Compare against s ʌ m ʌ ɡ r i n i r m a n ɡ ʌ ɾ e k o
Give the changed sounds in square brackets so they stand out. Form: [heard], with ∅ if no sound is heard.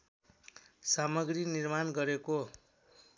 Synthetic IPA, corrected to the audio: s [a] m ʌ ɡ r i n i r m a n ɡ ʌ ɾ e k o